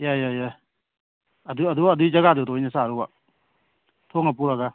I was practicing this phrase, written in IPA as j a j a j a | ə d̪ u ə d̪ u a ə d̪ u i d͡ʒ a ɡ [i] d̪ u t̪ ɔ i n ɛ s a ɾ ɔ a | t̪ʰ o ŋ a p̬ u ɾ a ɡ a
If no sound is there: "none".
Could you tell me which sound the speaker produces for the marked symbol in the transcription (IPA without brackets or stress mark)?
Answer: a